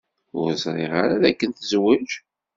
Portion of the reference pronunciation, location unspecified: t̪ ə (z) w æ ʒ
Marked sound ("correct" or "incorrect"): correct